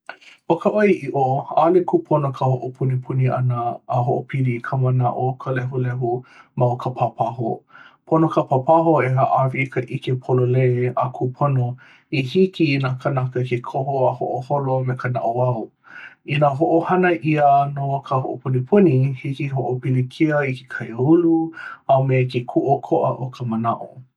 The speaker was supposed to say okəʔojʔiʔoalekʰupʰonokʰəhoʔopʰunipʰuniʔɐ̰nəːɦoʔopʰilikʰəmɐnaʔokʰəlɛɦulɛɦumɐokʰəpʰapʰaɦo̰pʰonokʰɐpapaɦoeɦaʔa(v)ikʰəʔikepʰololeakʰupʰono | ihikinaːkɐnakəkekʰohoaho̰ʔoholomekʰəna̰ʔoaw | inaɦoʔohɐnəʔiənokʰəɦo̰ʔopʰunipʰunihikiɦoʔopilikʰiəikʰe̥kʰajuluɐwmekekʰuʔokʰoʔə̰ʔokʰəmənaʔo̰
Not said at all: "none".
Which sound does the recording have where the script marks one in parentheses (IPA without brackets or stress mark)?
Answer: v